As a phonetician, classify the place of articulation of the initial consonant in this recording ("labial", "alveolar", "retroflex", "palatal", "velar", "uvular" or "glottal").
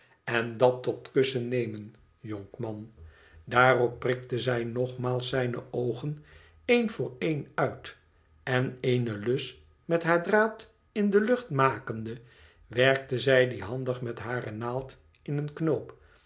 alveolar